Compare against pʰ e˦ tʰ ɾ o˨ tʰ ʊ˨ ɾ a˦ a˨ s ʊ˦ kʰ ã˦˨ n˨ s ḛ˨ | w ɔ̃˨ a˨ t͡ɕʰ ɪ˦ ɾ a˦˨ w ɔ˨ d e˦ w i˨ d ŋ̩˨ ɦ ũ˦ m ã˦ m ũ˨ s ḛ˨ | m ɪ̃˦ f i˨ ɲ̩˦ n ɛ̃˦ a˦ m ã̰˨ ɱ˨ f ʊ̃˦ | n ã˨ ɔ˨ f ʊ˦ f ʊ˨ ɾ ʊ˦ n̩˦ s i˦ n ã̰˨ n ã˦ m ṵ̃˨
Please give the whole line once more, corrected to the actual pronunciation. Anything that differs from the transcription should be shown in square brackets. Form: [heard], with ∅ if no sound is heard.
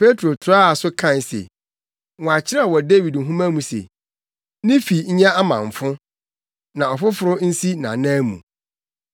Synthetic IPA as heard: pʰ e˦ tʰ ɾ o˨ tʰ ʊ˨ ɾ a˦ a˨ s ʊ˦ kʰ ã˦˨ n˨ s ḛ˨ | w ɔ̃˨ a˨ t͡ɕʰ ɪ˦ ɾ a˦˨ w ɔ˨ d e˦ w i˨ d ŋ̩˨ ɦ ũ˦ m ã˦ m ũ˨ s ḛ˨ | [n] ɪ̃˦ f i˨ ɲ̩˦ [ɲ] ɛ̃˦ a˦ m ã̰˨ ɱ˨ f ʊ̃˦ | n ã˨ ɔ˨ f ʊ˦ f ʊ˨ ɾ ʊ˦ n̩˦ s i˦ n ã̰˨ n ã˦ m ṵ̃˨